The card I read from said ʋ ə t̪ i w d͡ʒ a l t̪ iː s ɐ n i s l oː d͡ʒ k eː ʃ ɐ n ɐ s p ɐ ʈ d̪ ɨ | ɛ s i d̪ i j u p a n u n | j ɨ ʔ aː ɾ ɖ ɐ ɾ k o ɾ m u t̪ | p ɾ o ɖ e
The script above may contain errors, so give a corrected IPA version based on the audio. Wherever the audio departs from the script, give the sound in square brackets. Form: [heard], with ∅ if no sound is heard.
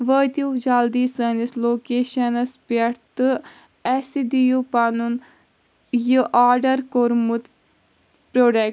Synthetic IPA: ʋ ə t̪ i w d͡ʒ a l [d̪] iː s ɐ n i s l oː [∅] k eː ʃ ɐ n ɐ s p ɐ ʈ [t̪] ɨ | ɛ s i d̪ i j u p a n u n | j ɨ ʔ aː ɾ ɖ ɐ ɾ k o ɾ m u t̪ | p ɾ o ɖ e

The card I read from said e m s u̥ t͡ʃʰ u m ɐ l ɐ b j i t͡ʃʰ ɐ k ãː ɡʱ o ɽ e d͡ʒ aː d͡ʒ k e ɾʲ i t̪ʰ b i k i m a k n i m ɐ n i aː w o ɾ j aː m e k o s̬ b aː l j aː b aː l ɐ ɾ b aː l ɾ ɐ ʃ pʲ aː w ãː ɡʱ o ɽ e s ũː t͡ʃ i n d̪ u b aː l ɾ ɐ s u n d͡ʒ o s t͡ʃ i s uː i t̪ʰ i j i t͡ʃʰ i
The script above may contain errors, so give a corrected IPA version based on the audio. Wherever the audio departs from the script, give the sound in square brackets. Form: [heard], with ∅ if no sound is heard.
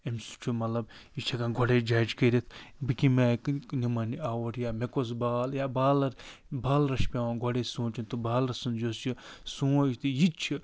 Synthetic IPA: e m s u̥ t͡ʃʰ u m ɐ l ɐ b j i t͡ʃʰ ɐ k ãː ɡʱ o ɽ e d͡ʒ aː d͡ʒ k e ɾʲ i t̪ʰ b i k i m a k n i m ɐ n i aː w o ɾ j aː m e k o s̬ b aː l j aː b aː l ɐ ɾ b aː l ɾ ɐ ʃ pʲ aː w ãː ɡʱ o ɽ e s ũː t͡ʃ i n [t̪] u b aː l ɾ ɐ s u n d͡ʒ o s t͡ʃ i s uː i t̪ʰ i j i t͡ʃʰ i

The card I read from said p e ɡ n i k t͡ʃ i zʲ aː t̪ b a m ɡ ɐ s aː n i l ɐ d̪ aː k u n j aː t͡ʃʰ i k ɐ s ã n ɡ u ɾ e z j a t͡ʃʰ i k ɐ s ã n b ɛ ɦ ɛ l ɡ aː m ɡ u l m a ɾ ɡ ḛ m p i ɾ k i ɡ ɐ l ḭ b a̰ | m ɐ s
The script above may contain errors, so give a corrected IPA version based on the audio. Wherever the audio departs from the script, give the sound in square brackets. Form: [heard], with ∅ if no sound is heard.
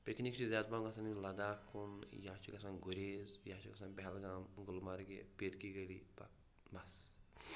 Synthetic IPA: p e [k] n i k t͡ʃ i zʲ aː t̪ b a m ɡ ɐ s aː n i l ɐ d̪ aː k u n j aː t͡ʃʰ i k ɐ s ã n ɡ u ɾ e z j a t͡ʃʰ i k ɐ s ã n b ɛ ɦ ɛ l ɡ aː m ɡ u l m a ɾ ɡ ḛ [∅] p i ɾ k i ɡ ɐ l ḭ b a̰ | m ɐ s

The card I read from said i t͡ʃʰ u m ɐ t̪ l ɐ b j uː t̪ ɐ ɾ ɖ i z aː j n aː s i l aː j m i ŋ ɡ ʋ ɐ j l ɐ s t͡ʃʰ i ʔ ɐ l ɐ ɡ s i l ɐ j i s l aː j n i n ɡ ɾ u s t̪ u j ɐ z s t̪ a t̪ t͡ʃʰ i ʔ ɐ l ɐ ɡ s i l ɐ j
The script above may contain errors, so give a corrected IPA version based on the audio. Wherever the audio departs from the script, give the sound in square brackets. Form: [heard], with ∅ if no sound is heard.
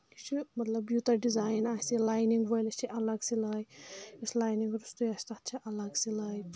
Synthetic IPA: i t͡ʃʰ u m ɐ t̪ l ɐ b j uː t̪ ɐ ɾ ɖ i z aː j n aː s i l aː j [n] i ŋ ɡ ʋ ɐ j l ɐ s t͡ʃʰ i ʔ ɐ l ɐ ɡ s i l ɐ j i s l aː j n i [ŋ] ɡ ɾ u s t̪ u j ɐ [∅] s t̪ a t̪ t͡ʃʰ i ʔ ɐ l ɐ ɡ s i l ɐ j

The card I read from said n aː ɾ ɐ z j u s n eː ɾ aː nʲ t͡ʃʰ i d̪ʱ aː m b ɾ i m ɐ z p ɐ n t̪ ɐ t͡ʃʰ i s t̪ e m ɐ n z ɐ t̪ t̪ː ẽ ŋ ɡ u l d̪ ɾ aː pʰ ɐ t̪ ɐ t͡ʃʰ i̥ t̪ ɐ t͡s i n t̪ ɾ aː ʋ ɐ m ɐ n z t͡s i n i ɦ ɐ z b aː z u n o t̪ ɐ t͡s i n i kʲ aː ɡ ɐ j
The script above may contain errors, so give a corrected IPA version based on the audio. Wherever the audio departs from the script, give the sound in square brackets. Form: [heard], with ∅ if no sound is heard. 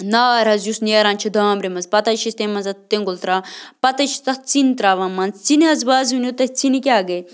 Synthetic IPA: n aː ɾ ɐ z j u s n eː ɾ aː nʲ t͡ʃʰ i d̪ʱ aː m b ɾ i m ɐ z p ɐ [∅] t̪ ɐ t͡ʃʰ i s t̪ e m ɐ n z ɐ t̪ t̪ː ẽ ŋ ɡ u l [t̪] ɾ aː [p] ɐ t̪ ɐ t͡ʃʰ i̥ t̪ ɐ t͡s i n t̪ ɾ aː ʋ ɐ m ɐ n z t͡s i n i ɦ ɐ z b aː z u n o t̪ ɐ t͡s i n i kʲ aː ɡ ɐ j

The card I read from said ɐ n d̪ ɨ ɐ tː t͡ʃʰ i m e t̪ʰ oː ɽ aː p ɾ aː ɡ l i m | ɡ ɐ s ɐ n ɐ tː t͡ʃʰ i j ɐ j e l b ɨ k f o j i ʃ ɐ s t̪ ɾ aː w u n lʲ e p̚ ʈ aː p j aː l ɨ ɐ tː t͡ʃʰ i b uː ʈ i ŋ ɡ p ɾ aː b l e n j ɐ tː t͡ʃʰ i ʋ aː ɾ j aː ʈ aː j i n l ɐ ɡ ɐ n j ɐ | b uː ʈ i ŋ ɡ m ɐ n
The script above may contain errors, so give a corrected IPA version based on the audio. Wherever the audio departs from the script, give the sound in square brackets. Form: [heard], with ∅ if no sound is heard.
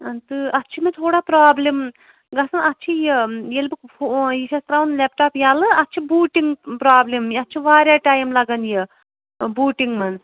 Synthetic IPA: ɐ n [t̪] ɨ ɐ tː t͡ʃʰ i m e t̪ʰ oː ɽ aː p ɾ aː [b] l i m | ɡ ɐ s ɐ n ɐ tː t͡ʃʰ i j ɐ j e l b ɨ k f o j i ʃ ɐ s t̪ ɾ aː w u n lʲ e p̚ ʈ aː p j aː l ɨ ɐ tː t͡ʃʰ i b uː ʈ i ŋ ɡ p ɾ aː b l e [m] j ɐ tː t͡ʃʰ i ʋ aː ɾ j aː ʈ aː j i [m] l ɐ ɡ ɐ n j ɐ | b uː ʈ i ŋ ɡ m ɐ n

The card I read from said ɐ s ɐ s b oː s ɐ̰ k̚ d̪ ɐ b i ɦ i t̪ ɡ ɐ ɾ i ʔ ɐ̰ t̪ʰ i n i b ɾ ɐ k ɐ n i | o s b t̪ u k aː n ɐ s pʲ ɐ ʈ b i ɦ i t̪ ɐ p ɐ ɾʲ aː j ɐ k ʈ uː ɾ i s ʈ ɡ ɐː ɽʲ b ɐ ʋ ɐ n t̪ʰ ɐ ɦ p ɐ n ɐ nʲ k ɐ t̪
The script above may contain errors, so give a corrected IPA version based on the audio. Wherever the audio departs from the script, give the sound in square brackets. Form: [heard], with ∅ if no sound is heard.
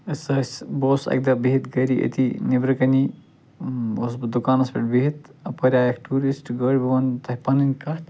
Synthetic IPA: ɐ s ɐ s b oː s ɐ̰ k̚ d̪ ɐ b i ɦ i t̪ ɡ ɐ ɾ i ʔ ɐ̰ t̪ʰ i n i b ɾ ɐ k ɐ n i | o s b [d̪] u k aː n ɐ s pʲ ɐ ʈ b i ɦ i t̪ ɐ p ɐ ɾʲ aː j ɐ k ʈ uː ɾ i s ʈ ɡ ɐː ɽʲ b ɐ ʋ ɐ n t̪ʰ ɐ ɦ p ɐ n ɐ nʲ k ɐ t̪

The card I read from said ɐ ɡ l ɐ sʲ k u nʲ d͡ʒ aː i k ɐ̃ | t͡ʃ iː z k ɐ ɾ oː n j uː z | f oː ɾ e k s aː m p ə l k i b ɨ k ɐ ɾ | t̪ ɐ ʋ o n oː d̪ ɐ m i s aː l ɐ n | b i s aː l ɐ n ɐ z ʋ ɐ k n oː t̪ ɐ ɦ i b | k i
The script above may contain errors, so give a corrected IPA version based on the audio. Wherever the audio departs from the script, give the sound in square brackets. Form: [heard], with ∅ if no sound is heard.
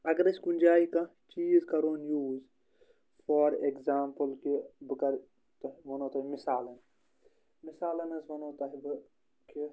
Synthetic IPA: ɐ ɡ [ɾ] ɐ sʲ k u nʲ d͡ʒ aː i k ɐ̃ | t͡ʃ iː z k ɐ ɾ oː n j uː z | f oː ɾ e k [z] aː m p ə l k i b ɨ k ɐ ɾ | t̪ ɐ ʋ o n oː [t̪] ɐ m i s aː l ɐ n | [m] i s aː l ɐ n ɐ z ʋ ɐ [∅] n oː t̪ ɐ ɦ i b | k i

